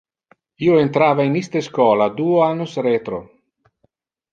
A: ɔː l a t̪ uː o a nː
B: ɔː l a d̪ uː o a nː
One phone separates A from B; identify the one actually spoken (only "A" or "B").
B